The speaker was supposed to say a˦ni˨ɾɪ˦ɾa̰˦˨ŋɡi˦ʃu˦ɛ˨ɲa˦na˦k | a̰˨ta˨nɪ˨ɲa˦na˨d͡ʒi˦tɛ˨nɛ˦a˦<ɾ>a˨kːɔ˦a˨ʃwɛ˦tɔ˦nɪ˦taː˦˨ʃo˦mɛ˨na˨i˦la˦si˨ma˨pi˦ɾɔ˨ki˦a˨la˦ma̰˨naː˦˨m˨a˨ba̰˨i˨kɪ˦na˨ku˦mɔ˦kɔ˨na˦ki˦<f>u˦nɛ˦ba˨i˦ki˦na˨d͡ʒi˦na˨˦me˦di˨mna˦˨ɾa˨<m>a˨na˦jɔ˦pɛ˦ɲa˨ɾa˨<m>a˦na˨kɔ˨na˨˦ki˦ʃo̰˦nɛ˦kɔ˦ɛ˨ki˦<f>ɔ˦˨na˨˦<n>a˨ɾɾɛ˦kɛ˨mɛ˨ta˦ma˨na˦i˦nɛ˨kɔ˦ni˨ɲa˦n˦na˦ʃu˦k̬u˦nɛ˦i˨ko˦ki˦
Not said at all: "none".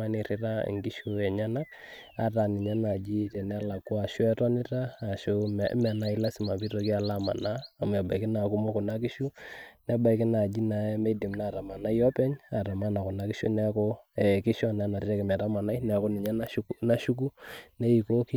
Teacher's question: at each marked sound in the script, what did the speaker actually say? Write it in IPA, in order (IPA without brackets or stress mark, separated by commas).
l, ʃ, m, m, ʃ, n